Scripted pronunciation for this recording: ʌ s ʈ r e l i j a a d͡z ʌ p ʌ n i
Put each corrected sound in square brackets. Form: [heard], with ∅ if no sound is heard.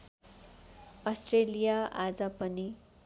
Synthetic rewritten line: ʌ s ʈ r e l i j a a d͡z ʌ p ʌ n i

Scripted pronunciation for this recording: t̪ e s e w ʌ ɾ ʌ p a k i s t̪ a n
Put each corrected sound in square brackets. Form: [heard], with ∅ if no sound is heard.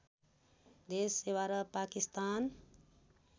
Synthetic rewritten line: [d̪] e s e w [a] ɾ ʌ p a k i s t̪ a n

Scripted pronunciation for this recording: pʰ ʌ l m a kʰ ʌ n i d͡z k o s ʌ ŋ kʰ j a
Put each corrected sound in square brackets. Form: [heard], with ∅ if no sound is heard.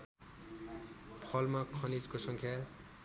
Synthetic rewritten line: pʰ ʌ l m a kʰ ʌ n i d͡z k o s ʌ ŋ kʰ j a

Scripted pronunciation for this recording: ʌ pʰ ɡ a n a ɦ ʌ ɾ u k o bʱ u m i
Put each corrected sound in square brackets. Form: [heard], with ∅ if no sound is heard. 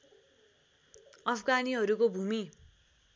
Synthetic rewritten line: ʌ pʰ ɡ a n [i] ɦ ʌ ɾ u k o bʱ u m i

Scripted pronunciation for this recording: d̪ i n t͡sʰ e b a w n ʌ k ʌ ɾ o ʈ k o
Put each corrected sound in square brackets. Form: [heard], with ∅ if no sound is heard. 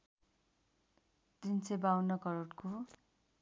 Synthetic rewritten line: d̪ i n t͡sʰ e b a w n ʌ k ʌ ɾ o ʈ k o

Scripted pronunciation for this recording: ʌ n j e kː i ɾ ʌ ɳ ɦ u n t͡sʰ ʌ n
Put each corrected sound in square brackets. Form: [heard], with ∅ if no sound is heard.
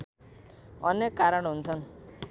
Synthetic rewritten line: ʌ n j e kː [a] ɾ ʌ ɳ ɦ u n t͡sʰ ʌ n

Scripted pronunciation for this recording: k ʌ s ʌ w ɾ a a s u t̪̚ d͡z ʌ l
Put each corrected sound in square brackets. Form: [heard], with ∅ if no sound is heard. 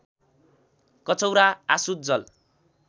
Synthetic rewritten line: k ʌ [t͡s] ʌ w ɾ a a s u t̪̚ d͡z ʌ l

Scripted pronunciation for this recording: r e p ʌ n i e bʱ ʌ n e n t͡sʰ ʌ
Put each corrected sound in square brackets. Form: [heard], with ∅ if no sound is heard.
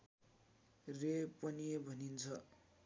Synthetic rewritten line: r e p ʌ n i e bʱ ʌ n [i] n t͡sʰ ʌ

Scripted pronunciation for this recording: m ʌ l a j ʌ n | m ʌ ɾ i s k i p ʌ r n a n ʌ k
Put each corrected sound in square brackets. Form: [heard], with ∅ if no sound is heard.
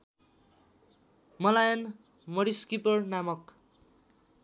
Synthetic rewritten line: m ʌ l a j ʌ n | m ʌ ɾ i s k i p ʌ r n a [m] ʌ k

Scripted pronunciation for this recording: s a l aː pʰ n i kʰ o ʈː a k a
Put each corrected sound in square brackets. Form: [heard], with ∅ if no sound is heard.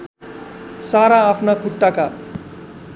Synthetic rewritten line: s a [ɾ] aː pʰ n [a] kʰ [u] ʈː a k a

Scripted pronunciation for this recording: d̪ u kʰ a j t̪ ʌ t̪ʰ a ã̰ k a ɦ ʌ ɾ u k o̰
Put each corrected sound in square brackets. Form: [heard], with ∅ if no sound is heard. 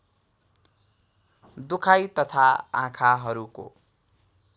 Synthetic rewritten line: d̪ u kʰ a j t̪ ʌ t̪ʰ a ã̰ [kʰ] a ɦ ʌ ɾ u k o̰

